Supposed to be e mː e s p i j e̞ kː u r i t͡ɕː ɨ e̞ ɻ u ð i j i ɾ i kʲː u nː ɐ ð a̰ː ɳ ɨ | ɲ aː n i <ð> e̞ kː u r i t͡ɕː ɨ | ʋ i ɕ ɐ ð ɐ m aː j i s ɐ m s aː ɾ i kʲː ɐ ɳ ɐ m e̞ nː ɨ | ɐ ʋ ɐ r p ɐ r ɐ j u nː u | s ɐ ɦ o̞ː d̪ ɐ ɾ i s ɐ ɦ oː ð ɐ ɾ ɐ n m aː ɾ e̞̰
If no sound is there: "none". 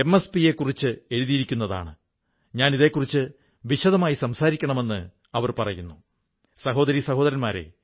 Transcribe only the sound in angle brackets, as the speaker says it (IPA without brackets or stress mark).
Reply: ð